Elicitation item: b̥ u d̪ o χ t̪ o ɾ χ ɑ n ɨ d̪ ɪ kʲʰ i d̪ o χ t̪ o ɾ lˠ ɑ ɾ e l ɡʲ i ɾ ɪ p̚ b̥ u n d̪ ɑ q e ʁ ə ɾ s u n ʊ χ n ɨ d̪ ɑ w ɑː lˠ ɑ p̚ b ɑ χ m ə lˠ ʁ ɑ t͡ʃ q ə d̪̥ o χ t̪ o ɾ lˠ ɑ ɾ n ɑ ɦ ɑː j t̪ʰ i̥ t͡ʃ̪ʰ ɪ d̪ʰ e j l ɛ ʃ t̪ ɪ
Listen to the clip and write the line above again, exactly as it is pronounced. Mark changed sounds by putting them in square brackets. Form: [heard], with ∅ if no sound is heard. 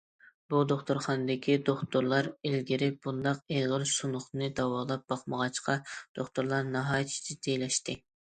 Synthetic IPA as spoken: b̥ u d̪ o χ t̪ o ɾ χ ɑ n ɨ d̪ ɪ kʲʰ i d̪ o χ t̪ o ɾ lˠ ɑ ɾ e l ɡʲ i ɾ ɪ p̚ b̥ u n d̪ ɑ q e ʁ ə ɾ s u n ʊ χ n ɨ d̪ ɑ w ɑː lˠ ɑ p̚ b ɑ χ m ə [∅] ʁ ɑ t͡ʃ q [ɑ] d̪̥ o χ t̪ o ɾ lˠ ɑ ɾ n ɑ ɦ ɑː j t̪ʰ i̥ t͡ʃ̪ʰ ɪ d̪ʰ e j l ɛ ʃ t̪ ɪ